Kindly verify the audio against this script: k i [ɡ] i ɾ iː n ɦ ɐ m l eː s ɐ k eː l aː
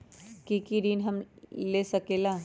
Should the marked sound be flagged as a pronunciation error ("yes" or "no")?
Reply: yes